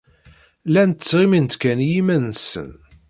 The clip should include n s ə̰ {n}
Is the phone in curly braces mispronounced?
no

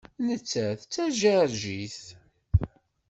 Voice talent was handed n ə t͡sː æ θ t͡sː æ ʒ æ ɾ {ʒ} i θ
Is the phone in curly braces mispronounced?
no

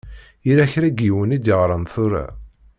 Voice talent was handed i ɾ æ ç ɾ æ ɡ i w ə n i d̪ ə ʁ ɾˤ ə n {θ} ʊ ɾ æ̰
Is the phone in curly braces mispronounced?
no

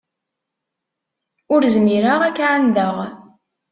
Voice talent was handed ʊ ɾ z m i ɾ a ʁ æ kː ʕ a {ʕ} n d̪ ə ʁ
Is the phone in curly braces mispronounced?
yes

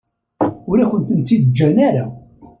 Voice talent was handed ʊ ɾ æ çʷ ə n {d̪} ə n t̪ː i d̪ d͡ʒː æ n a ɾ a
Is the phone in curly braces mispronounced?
yes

